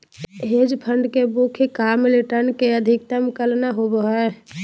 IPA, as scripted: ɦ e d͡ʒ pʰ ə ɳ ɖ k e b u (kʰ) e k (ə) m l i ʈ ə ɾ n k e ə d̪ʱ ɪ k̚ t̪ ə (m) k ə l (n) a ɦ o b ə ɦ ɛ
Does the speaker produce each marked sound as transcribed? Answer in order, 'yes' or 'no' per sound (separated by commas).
yes, no, yes, yes